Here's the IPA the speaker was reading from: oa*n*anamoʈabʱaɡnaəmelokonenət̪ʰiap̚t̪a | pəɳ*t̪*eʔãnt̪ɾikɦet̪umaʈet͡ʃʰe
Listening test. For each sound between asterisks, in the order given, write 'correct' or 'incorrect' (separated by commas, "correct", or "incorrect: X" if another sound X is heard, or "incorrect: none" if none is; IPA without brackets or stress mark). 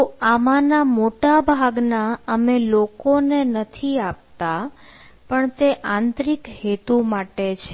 incorrect: m, correct